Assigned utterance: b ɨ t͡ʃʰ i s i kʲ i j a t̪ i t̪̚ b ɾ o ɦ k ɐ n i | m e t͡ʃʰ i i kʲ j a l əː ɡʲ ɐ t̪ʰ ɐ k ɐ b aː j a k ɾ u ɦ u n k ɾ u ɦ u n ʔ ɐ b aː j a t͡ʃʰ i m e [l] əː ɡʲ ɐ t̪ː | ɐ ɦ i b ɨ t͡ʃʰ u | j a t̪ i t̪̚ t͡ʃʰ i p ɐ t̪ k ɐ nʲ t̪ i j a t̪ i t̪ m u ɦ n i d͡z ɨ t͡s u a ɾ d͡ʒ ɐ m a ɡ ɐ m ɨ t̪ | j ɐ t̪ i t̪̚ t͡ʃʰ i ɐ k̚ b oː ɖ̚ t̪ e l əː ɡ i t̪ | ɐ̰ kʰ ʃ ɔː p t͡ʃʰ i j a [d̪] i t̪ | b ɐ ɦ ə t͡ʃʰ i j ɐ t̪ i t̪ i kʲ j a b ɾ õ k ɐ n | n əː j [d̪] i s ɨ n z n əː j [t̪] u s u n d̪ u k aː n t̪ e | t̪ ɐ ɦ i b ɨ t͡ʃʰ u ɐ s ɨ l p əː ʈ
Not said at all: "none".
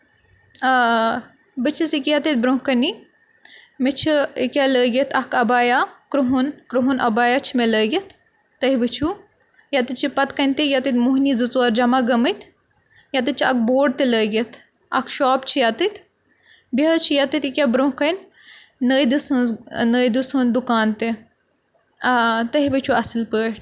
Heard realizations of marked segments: l, t̪, d̪, d̪

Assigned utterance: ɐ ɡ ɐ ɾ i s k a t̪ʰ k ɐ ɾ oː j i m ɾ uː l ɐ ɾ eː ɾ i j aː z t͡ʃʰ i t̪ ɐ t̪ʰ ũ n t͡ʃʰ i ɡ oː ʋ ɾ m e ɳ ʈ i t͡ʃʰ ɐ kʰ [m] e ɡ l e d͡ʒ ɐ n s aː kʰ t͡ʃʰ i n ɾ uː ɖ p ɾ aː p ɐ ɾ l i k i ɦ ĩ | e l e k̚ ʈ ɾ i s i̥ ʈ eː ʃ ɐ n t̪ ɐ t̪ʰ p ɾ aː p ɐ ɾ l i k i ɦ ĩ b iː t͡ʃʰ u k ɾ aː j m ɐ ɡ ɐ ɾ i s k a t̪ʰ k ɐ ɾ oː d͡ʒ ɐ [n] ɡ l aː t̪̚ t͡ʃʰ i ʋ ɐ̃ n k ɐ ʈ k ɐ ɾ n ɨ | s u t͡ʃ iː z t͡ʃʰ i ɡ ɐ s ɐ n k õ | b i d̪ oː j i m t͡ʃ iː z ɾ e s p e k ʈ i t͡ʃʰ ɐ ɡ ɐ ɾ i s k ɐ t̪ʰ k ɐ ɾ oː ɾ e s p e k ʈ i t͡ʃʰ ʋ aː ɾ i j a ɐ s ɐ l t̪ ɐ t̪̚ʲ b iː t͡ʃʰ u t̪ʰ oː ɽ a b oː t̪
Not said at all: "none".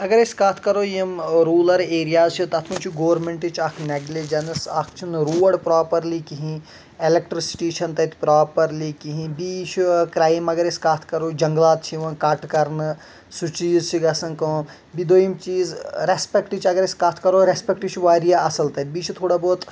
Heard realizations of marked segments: n, ŋ

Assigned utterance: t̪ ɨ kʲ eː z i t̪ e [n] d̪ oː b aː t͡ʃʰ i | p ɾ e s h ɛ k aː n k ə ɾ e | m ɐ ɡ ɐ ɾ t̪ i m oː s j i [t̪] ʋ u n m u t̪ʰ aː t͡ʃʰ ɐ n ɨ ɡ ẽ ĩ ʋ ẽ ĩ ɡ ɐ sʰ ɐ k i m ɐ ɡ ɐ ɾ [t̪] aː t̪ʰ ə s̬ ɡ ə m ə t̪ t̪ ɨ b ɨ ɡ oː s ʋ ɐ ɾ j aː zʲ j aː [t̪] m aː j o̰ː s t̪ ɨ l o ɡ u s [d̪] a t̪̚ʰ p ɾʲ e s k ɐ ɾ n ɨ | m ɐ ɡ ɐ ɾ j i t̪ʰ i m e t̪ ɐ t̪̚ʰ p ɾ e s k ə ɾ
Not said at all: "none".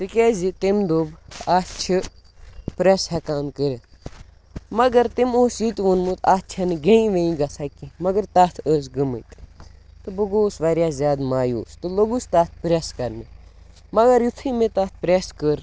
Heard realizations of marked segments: m, t̪, t̪, d̪, t̪

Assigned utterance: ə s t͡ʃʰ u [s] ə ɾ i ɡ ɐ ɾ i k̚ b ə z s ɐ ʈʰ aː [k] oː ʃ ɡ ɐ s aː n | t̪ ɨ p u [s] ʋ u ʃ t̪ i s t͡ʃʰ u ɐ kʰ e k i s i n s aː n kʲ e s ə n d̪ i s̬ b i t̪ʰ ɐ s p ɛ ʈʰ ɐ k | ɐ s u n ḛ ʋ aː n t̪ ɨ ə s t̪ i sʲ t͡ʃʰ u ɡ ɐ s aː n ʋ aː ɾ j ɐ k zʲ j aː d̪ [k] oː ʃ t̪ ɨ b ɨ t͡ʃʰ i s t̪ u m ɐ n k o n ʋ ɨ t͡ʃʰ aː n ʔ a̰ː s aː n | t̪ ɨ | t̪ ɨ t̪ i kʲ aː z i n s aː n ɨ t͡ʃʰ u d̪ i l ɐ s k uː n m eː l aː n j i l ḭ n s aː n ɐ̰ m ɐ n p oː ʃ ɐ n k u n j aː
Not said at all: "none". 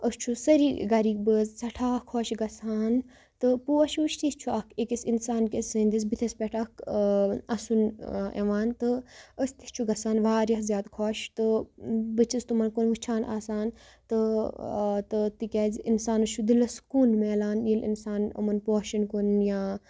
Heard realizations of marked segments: s, kʰ, ʃ, kʰ

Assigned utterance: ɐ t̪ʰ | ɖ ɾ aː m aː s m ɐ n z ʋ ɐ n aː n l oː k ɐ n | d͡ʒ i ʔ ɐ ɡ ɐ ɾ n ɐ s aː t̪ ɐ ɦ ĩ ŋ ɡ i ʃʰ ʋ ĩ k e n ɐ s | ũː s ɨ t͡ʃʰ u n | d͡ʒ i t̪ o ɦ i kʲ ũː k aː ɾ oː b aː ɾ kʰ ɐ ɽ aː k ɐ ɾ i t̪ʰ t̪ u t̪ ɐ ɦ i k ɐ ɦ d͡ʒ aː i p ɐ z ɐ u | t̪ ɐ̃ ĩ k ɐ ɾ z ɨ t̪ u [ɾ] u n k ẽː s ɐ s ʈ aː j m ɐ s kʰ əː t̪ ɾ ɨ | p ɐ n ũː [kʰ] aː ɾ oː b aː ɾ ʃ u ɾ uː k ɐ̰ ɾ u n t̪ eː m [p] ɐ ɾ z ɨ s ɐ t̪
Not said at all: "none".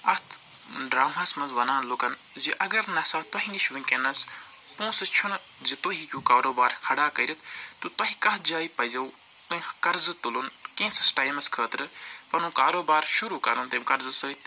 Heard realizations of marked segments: l, k, k

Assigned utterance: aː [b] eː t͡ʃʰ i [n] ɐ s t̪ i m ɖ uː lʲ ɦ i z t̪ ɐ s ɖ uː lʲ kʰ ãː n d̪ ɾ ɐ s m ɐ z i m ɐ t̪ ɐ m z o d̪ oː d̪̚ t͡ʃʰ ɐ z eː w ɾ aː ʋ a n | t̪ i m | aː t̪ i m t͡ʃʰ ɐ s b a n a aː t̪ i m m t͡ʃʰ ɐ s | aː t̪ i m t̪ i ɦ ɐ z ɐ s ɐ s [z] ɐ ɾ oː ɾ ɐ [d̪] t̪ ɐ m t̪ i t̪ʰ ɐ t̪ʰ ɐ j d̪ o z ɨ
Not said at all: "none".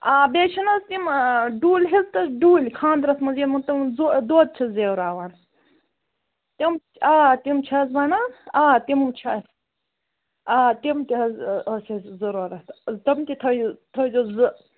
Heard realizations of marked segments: b, n, z, t̪

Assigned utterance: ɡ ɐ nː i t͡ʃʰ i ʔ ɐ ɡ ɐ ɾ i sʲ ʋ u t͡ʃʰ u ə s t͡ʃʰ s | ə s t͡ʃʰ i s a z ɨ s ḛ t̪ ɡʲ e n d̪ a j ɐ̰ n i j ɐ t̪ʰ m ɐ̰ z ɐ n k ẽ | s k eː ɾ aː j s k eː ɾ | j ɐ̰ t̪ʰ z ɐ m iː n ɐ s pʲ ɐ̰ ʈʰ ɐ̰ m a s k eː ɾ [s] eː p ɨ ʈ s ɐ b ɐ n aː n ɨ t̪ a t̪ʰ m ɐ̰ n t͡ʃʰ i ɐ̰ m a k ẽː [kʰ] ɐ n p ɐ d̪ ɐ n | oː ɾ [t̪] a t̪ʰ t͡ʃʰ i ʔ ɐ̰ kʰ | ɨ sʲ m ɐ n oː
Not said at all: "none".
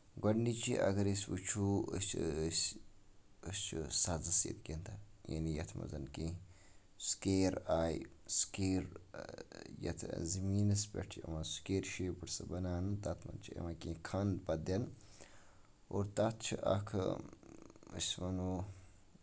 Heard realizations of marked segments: ʃ, kʰ, t̪

